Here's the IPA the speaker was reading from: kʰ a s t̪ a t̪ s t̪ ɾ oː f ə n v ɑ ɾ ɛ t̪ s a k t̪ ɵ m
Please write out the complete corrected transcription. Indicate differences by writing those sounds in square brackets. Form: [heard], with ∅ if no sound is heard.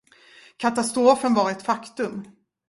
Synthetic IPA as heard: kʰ a [∅] t̪ a [∅] s t̪ ɾ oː f ə n v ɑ ɾ ɛ t̪ [f] a k t̪ ɵ m